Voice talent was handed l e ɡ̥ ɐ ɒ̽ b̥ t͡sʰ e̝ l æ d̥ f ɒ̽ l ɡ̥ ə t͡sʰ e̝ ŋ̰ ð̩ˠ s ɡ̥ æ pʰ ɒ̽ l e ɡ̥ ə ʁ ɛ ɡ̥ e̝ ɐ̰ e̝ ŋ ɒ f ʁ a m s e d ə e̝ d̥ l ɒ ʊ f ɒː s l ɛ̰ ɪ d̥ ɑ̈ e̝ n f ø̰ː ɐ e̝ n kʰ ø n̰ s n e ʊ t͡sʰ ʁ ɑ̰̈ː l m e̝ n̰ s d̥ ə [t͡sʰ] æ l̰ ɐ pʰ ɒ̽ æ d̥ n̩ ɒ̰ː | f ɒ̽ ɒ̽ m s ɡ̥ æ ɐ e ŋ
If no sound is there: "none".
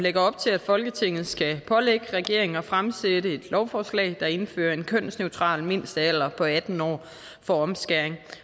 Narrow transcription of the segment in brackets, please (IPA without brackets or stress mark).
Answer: none